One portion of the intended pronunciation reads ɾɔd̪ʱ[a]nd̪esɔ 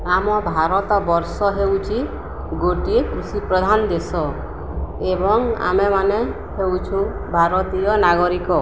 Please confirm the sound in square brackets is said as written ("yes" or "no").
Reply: yes